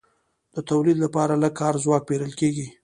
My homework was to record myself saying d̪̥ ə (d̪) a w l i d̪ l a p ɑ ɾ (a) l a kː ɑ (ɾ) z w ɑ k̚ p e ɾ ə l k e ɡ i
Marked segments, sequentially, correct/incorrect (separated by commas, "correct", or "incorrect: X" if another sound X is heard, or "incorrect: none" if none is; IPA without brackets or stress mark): incorrect: t̪, correct, correct